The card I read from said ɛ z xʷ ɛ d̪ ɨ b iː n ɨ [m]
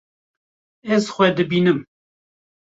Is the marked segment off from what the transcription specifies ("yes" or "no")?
no